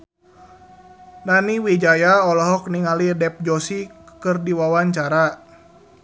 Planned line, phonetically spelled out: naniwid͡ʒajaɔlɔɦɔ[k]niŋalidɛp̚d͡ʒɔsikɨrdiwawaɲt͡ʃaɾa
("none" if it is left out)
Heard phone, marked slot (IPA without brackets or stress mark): k